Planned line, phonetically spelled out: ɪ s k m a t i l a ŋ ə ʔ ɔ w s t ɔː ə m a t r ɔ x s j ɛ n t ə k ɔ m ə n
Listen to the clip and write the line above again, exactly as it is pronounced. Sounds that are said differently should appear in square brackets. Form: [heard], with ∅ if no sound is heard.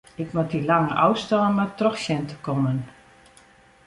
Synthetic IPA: ɪ [∅] k m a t i l a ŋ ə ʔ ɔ w s t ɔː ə m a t r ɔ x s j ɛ n t ə k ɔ m ə n